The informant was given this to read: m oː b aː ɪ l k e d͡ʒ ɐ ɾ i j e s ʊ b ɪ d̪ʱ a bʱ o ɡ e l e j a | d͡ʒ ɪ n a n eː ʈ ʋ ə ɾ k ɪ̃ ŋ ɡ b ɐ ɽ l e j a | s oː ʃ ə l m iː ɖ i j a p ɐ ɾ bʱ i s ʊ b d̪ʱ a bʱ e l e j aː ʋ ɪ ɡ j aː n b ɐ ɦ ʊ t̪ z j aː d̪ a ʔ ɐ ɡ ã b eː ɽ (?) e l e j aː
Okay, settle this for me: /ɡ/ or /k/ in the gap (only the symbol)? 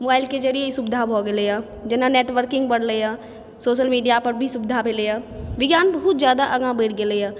ɡ